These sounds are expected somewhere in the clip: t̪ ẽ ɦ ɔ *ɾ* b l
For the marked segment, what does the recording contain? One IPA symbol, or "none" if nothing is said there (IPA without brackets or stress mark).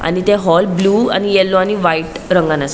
l